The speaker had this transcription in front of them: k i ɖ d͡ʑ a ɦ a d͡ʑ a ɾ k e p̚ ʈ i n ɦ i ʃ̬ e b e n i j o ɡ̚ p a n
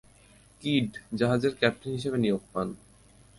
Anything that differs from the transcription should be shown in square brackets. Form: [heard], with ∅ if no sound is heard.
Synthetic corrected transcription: k i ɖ d͡ʑ a ɦ a d͡ʑ [e] ɾ k [ɛ] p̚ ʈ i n ɦ i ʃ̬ e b e n i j o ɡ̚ p a n